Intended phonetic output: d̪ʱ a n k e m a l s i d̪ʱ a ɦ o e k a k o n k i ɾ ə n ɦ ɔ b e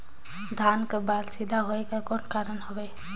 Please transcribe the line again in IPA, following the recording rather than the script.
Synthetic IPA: d̪ʱ a n k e b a l s i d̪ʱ a ɦ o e k a k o n k a ɾ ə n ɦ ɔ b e